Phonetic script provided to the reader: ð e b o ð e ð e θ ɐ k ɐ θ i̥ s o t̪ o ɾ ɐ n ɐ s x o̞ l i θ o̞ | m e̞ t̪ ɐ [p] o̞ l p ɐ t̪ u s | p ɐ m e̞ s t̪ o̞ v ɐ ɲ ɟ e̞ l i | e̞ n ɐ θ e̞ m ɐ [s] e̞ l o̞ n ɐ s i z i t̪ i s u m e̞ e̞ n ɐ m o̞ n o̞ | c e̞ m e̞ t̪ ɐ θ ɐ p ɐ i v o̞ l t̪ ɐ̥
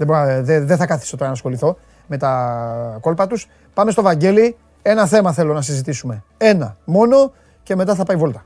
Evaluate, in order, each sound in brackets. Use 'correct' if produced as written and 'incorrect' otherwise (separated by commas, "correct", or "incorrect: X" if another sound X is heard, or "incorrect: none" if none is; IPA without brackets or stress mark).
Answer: incorrect: k, incorrect: θ